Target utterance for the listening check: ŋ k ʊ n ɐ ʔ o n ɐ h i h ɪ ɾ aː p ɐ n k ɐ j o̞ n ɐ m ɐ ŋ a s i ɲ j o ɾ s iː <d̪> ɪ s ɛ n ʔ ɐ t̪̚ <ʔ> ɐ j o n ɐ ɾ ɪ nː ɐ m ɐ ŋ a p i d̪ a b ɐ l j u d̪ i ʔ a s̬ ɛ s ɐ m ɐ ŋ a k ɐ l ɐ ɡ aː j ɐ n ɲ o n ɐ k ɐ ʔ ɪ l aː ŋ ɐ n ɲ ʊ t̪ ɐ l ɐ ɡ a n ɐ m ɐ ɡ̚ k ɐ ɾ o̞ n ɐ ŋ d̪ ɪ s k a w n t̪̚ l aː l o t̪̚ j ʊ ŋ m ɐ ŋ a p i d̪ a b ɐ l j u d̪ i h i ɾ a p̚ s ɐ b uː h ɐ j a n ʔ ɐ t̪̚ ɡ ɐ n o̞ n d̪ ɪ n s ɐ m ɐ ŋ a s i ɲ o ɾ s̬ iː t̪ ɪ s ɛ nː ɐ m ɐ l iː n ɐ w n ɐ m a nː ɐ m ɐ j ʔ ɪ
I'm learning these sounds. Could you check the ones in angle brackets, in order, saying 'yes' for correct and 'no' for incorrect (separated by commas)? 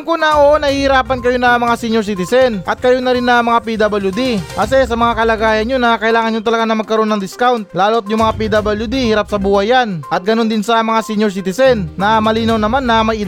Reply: no, no